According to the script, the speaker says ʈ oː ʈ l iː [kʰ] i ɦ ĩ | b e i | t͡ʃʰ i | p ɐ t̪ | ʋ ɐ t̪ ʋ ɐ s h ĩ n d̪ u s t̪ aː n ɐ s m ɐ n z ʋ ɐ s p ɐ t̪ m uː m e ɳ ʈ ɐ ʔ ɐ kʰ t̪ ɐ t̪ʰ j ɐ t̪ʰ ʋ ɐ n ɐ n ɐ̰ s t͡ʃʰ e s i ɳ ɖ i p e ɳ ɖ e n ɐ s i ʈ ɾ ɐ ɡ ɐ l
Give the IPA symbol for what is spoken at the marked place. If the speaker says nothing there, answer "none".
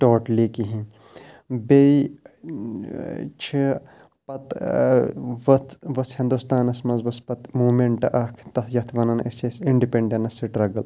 k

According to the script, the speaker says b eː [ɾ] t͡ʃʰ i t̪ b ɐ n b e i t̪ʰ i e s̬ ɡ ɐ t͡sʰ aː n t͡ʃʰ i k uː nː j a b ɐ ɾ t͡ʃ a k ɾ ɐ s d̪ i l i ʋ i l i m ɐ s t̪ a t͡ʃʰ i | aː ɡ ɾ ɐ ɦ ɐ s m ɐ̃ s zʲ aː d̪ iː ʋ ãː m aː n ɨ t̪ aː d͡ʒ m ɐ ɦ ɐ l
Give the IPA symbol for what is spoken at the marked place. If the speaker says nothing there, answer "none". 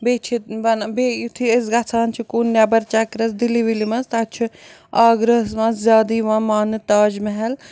none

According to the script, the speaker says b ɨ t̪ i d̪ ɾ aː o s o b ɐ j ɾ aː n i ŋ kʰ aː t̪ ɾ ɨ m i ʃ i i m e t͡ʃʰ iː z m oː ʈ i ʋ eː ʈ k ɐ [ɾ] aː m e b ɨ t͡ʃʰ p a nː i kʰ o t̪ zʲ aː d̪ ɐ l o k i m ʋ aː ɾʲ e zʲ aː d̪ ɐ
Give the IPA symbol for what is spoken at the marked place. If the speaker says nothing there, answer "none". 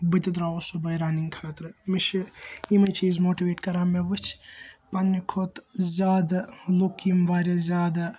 ɾ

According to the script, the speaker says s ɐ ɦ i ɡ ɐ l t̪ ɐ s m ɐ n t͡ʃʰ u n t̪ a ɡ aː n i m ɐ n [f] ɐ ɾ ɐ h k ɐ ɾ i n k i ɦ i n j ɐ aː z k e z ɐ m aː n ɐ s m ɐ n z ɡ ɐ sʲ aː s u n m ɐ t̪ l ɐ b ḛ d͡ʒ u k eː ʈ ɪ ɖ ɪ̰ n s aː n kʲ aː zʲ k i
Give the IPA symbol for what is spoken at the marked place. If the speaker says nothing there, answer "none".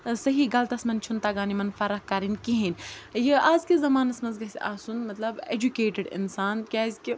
f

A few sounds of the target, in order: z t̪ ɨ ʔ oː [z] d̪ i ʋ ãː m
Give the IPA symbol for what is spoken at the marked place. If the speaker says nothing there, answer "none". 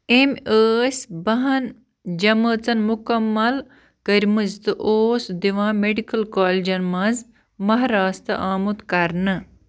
s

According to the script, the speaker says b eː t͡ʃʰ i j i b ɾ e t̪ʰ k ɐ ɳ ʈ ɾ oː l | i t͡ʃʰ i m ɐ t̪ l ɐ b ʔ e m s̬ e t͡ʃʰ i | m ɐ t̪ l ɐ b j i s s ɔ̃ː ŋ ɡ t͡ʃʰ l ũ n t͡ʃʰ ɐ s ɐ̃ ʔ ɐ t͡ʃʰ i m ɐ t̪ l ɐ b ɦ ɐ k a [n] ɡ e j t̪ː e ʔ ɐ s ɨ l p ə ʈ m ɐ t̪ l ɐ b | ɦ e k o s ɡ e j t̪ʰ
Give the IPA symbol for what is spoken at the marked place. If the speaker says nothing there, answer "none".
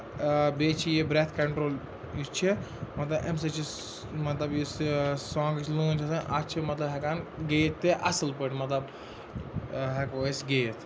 n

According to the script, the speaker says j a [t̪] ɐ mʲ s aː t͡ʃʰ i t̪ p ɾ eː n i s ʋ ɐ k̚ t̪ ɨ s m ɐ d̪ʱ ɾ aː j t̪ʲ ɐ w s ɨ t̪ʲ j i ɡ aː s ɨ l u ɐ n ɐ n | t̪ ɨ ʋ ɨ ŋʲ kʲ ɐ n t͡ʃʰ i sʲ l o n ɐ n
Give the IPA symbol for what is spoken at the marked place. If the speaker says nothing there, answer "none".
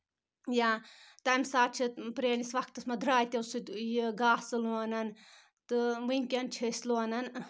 t̪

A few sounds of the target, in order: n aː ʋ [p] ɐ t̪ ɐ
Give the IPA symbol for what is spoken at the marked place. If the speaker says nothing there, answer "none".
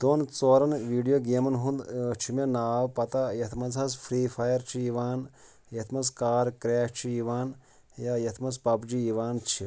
p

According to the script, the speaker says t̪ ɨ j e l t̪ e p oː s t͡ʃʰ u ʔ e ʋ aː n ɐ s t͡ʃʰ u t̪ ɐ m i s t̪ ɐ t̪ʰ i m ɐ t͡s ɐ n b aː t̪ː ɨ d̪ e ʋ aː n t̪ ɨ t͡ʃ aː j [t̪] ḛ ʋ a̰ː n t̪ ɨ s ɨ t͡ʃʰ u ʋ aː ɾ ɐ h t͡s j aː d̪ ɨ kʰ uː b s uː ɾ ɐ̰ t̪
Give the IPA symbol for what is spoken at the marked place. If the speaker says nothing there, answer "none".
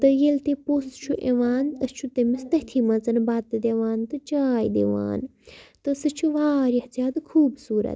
d̪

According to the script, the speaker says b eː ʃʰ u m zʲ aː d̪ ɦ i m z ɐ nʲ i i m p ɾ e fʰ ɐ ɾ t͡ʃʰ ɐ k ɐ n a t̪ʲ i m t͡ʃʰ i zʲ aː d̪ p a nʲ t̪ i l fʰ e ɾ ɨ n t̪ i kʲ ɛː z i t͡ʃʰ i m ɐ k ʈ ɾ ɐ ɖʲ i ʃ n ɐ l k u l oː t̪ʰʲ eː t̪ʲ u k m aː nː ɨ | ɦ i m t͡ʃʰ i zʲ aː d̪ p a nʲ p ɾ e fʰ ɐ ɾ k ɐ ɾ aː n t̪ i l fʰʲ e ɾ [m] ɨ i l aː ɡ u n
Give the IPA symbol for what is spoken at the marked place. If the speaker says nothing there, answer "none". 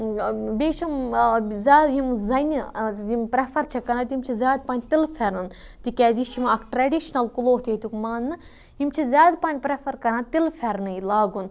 n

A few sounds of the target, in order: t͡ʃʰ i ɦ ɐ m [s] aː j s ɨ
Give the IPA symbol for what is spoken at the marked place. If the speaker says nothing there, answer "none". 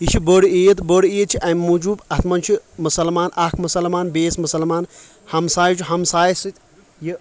s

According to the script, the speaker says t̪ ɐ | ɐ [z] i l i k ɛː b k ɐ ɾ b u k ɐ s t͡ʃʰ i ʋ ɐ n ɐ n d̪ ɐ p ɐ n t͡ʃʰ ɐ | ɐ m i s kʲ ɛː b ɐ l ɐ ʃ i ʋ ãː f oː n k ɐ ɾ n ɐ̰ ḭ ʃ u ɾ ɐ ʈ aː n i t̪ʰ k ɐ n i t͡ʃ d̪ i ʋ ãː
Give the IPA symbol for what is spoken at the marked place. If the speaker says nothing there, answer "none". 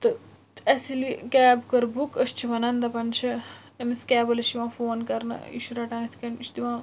s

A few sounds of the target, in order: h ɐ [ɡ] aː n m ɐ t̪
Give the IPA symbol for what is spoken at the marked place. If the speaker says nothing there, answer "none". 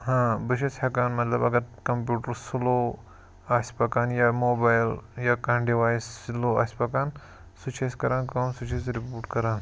k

